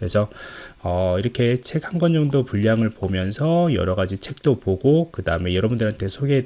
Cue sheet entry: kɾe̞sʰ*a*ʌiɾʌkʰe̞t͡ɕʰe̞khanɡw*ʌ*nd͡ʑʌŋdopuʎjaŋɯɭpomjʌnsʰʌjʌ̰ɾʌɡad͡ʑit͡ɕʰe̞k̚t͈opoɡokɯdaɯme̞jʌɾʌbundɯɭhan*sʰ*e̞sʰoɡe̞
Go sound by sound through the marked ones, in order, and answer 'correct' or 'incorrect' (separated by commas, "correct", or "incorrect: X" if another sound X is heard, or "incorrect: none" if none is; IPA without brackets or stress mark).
incorrect: ʌ, correct, incorrect: tʰ